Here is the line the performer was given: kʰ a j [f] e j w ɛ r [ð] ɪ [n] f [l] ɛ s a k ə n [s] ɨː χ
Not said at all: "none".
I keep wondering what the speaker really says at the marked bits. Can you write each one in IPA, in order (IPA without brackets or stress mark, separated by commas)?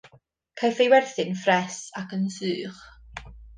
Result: f, θ, n, r, s